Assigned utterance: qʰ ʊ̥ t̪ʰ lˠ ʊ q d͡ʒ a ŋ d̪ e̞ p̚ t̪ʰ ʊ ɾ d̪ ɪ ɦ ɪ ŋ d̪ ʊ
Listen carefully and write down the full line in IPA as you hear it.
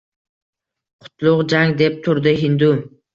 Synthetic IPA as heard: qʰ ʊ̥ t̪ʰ lˠ ʊ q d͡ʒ a ŋ d̪ e̞ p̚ t̪ʰ ʊ ɾ d̪ ɪ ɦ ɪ n d̪ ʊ